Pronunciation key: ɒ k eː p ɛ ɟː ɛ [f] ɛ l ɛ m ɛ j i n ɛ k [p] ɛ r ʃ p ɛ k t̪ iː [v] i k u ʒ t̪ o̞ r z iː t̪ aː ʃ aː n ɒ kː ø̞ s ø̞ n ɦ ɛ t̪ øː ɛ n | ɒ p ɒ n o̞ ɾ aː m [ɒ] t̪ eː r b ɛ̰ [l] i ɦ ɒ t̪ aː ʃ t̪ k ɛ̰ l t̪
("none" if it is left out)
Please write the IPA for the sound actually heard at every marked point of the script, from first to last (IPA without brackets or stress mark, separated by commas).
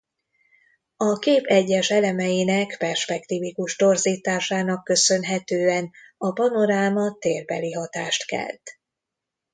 ʃ, p, v, ɒ, l